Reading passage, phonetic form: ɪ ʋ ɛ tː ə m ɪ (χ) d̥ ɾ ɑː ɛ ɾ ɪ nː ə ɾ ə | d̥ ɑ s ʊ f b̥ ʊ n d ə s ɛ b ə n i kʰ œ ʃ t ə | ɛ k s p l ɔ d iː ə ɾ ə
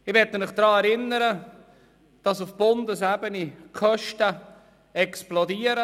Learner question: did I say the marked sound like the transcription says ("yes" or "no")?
yes